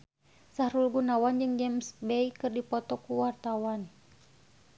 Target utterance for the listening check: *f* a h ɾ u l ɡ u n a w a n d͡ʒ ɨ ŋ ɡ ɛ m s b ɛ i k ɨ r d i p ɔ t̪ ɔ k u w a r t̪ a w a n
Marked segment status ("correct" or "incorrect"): incorrect